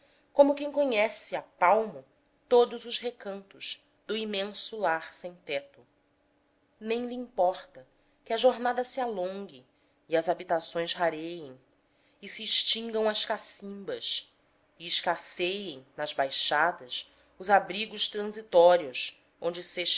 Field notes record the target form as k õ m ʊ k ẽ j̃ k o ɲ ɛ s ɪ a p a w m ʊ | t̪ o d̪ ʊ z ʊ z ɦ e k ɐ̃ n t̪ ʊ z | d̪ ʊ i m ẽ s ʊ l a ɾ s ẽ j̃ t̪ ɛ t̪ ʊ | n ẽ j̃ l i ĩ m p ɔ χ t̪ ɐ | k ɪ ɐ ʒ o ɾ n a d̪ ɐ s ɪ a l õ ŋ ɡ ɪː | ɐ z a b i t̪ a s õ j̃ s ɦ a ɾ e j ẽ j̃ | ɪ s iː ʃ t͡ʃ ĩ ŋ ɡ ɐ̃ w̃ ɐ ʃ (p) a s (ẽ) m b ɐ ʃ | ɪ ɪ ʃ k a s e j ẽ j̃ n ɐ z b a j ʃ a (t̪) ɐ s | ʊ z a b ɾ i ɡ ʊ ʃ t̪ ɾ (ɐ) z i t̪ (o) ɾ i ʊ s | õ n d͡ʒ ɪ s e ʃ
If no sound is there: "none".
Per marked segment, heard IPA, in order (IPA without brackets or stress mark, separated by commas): k, ĩ, d̪, ɐ̃, ɔ